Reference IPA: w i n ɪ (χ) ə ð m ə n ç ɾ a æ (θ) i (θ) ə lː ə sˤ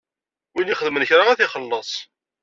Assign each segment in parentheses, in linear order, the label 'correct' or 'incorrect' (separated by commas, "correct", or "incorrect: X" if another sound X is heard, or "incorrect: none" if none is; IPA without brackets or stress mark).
correct, correct, incorrect: χ